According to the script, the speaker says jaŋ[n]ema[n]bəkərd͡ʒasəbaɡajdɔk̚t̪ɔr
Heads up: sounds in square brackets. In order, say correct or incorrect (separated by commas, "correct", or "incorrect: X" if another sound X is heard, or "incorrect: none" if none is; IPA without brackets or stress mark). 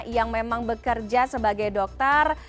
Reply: incorrect: m, incorrect: ŋ